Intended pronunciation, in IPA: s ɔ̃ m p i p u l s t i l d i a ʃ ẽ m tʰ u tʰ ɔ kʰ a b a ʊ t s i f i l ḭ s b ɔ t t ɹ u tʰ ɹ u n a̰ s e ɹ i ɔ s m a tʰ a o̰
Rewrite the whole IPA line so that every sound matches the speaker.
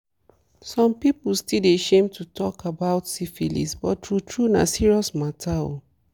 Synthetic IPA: s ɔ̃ m p i p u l s t i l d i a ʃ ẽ m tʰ u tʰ ɔ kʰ a b a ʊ t s i f i l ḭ s b ɔ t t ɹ u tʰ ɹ u n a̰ s i ɹ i ɔ s m a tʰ a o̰